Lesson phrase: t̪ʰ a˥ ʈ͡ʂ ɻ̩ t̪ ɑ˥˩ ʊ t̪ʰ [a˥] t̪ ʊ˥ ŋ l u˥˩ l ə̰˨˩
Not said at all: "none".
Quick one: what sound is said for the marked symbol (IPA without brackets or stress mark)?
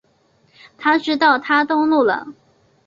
a˥